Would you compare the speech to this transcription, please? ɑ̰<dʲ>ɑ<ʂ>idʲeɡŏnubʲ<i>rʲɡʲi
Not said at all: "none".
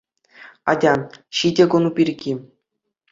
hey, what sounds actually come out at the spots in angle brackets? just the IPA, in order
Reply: dʲ, ɕ, i

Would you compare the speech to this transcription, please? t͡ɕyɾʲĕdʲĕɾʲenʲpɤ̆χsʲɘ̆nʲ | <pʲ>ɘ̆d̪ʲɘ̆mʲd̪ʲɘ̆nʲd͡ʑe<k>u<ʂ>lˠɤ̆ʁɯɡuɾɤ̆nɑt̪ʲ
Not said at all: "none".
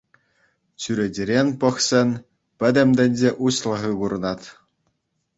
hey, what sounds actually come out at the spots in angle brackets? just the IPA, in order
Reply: pʲ, ʔ, ɕ

